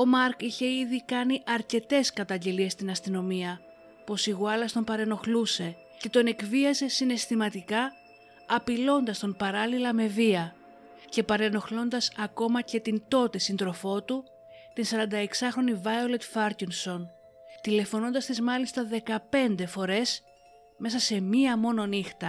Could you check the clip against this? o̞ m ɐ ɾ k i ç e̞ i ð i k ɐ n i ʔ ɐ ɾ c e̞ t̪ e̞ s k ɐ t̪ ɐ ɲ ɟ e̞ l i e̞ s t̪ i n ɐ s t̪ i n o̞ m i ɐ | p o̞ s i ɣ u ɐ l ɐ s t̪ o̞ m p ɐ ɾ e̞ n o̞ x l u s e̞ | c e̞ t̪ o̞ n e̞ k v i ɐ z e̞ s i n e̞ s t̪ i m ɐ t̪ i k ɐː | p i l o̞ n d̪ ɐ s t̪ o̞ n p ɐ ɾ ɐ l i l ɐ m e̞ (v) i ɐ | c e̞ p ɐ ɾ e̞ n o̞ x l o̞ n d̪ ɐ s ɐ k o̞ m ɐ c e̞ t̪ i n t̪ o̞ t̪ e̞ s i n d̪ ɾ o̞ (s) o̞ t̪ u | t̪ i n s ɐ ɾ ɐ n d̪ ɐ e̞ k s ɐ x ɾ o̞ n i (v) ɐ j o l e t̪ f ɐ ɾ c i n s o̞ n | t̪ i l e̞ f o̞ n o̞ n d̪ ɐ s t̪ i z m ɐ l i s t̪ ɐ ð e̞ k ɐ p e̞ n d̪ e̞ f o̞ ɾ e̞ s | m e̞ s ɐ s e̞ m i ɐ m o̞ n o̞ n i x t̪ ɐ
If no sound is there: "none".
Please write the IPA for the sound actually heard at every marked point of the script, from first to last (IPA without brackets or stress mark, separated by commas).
v, f, v